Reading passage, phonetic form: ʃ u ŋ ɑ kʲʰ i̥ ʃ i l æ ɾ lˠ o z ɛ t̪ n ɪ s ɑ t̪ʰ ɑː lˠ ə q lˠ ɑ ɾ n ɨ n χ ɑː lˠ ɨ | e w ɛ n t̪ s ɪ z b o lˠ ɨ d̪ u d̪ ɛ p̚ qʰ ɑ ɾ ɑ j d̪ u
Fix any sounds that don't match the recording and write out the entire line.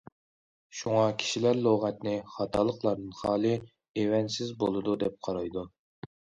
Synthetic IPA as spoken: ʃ u ŋ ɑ kʲʰ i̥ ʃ i l æ ɾ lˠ o ʁ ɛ t̪ n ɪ χ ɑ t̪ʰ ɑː lˠ ə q lˠ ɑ ɾ n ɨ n χ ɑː lˠ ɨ | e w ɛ n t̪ s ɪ z b o lˠ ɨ d̪ u d̪ ɛ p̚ qʰ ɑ ɾ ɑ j d̪ u